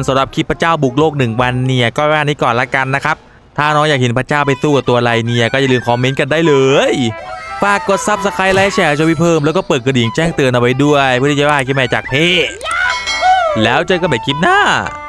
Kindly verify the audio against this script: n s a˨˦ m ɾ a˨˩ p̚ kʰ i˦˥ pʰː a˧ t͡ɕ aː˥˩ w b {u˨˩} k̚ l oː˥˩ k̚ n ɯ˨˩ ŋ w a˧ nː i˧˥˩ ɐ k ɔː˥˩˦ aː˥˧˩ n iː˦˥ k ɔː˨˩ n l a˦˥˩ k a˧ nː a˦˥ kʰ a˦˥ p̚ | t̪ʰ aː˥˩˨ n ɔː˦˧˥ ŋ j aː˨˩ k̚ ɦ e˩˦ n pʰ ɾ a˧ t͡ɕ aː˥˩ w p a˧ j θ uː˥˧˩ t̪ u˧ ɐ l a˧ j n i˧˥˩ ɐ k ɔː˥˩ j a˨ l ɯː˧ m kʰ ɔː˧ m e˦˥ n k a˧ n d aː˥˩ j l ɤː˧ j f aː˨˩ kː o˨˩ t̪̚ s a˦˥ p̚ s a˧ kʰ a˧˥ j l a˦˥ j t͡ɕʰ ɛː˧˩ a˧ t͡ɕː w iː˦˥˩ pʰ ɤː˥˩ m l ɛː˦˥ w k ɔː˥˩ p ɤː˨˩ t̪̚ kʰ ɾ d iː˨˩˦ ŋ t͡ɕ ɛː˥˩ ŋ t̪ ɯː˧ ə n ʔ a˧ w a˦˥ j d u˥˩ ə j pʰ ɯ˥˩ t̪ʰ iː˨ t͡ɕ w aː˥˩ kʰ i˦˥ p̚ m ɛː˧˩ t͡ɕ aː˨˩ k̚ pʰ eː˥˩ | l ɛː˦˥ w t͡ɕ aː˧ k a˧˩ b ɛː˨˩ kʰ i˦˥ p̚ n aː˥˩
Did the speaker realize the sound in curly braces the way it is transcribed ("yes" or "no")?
yes